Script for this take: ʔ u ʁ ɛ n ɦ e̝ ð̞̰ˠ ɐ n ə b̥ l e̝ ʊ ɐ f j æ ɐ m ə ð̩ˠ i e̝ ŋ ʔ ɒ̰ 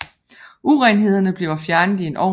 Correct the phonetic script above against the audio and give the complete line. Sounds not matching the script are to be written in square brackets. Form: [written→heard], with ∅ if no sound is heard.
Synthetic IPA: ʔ u ʁ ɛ n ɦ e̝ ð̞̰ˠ ɐ n ə b̥ l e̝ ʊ ɐ f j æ ɐ [m→n] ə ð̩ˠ i e̝ [ŋ→n] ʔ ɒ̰